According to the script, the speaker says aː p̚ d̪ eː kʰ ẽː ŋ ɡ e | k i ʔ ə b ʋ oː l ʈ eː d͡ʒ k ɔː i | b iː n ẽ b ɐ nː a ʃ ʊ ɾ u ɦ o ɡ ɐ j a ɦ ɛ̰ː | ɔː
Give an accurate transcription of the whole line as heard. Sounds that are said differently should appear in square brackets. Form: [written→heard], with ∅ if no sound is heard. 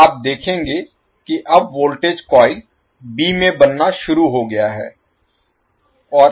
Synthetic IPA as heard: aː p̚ d̪ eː kʰ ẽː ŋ ɡ e | k i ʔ [ə→ɐ] b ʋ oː l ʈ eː d͡ʒ k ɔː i | b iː [n→m] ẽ b ɐ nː a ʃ ʊ ɾ u ɦ o ɡ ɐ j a ɦ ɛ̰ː | ɔː

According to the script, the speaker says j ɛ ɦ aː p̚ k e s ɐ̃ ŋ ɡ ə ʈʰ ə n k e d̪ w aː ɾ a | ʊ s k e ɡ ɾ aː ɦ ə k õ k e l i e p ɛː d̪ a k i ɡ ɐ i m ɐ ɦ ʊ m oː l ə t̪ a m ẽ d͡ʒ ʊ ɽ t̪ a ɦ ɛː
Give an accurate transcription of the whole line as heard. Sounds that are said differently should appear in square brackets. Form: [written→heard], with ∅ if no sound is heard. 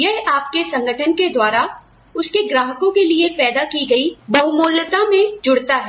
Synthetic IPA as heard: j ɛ ɦ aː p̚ k e s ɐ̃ ŋ ɡ ə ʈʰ ə n k e d̪ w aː ɾ a | ʊ s k e ɡ ɾ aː ɦ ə k õ k e l i e p ɛː d̪ a k i ɡ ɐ i [m→b] ɐ ɦ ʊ m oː l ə t̪ a m ẽ d͡ʒ ʊ ɽ t̪ a ɦ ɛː

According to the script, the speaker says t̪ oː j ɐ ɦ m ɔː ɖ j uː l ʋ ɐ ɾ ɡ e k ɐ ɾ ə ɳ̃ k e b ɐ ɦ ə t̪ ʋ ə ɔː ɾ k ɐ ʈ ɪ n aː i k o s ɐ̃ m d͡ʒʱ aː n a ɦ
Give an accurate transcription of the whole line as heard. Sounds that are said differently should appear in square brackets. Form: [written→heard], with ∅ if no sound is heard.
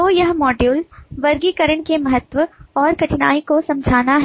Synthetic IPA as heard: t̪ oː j ɐ ɦ m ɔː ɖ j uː l ʋ ɐ ɾ ɡ [e→i] k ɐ ɾ ə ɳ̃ k e [b→m] ɐ ɦ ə t̪ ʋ ə ɔː ɾ k ɐ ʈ ɪ n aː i k o s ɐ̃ m d͡ʒʱ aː n a ɦ

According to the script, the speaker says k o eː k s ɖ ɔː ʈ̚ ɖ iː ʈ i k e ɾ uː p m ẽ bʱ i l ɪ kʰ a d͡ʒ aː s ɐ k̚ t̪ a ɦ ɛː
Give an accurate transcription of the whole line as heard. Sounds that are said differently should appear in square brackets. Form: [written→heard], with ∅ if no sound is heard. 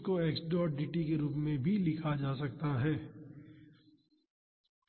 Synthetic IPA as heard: k o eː k s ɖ ɔː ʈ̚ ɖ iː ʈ i k e ɾ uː p m ẽ bʱ i l ɪ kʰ a d͡ʒ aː s ɐ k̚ t̪ a ɦ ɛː

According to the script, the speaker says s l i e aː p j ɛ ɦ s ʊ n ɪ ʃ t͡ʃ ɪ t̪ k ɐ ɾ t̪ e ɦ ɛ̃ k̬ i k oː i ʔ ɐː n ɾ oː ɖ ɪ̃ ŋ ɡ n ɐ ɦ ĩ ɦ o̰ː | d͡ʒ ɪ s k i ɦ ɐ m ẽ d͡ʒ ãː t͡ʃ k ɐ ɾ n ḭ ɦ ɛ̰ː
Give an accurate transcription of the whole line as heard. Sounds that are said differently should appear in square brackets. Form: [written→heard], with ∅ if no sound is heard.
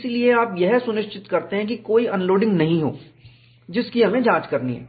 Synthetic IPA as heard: s l i e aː p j ɛ ɦ s ʊ n ɪ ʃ t͡ʃ ɪ t̪ k ɐ ɾ t̪ e ɦ ɛ̃ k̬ i k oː i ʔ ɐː n [ɾ→l] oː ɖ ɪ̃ ŋ ɡ n ɐ ɦ ĩ ɦ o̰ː | d͡ʒ ɪ s k i ɦ ɐ m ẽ d͡ʒ ãː t͡ʃ k ɐ ɾ n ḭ ɦ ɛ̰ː

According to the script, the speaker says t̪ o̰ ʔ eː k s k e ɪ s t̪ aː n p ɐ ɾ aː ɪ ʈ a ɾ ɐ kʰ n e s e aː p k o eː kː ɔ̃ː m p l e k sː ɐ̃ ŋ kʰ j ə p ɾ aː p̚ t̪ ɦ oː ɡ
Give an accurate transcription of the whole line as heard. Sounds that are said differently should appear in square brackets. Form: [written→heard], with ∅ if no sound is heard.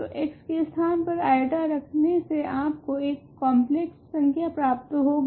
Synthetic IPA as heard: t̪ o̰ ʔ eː k s k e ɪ s [t̪→t̪ʰ] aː n p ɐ ɾ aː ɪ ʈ a ɾ ɐ kʰ n e s e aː p k o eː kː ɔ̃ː m p l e k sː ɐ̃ ŋ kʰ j [ə→a] p ɾ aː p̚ t̪ ɦ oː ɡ

